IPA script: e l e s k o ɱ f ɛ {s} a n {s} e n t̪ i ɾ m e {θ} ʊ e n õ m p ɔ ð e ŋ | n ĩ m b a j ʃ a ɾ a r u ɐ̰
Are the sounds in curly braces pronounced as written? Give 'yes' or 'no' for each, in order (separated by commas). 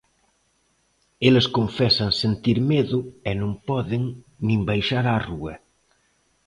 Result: yes, yes, no